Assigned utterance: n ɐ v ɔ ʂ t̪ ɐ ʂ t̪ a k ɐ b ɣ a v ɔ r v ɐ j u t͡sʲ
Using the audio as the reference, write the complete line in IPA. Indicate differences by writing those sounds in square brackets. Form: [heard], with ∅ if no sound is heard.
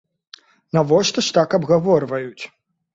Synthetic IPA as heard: n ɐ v ɔ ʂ t̪ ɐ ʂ t̪ a k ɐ b ɣ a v ɔ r v ɐ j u t͡sʲ